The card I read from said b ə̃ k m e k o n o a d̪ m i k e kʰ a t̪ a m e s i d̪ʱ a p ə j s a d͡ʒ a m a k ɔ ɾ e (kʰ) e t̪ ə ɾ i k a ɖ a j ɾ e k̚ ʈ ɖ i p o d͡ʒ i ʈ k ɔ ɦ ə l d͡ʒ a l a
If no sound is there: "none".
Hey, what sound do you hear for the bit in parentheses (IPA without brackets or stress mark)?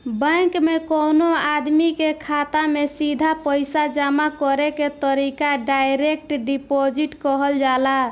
k